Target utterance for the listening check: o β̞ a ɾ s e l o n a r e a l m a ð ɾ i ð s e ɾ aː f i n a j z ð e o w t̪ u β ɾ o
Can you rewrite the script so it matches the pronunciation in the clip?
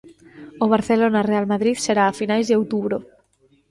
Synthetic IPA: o β̞ a ɾ θ e l o n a r e a l m a ð ɾ i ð s e ɾ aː f i n a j z ð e o w t̪ u β ɾ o